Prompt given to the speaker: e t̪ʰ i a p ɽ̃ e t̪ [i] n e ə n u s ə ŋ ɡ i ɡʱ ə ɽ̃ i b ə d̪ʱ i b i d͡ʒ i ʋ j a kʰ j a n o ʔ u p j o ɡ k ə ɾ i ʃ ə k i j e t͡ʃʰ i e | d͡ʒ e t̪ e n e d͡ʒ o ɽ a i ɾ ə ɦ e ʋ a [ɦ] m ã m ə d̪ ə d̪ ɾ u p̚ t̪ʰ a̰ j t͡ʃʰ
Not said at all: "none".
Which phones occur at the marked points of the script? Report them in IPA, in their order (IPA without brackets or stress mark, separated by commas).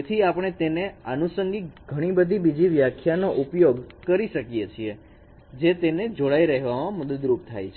e, none